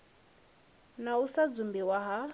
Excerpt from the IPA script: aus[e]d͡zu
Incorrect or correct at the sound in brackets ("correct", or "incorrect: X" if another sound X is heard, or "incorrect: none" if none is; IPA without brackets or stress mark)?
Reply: incorrect: a